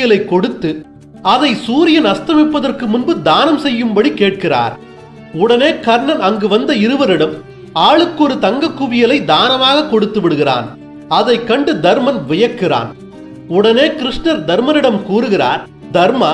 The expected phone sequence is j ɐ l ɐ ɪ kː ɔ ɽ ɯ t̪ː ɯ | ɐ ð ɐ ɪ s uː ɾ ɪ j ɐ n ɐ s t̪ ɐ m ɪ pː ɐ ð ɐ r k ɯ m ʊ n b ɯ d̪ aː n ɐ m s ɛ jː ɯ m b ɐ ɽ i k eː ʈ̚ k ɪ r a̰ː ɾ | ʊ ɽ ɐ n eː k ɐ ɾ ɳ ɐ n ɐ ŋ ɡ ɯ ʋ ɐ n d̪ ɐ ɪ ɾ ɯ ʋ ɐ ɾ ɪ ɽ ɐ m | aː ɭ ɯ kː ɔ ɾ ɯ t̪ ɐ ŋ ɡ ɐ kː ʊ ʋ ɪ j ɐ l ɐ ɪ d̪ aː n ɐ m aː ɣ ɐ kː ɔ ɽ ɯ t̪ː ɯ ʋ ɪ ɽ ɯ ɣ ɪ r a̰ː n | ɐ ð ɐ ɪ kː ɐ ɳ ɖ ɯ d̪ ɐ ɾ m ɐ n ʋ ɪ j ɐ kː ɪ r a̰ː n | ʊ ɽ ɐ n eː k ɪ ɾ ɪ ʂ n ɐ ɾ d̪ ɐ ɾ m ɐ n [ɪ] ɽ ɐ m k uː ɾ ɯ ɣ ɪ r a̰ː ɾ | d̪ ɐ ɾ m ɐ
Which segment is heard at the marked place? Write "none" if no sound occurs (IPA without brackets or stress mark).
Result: ɪ